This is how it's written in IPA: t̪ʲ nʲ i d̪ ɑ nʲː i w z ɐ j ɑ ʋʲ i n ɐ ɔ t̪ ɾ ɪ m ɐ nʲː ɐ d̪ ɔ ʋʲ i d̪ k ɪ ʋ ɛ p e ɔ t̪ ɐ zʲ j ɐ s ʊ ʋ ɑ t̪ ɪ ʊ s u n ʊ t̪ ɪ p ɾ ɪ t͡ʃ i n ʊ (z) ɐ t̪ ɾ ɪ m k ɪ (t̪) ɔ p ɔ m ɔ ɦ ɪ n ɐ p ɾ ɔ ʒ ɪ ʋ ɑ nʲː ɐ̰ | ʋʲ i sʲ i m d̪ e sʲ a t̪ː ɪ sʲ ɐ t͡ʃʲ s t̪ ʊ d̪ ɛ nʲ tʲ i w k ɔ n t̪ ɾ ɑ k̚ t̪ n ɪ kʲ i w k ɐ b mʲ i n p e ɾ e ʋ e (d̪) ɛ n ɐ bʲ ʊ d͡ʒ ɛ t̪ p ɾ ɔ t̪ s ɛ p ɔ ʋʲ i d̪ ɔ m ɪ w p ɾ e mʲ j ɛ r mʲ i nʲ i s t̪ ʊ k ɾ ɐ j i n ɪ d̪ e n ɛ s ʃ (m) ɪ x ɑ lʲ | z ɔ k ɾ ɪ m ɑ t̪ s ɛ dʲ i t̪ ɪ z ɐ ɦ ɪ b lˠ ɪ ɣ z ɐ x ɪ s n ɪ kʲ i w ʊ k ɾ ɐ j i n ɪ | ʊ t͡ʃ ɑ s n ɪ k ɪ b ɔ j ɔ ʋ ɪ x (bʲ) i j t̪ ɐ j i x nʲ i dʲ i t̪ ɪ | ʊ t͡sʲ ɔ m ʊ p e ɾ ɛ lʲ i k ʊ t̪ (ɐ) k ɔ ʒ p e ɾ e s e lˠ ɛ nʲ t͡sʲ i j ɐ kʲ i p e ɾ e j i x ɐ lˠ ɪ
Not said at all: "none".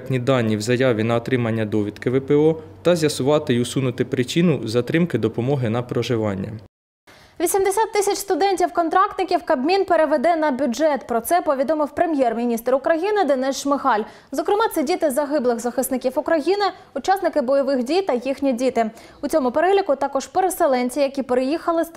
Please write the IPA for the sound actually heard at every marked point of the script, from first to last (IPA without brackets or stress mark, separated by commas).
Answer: z, d̪, d̪, m, dʲ, ɑ